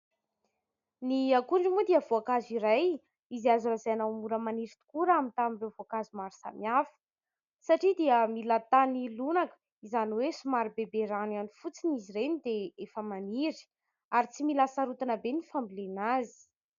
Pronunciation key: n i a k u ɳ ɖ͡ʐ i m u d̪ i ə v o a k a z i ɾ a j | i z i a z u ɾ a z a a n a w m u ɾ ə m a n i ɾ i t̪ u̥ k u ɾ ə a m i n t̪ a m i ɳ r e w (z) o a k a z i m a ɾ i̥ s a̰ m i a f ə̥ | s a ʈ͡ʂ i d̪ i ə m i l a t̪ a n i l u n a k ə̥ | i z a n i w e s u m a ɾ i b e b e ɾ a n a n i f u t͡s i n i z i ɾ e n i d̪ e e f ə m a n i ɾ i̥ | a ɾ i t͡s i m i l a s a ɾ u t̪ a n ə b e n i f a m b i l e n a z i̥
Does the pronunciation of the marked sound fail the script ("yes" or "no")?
yes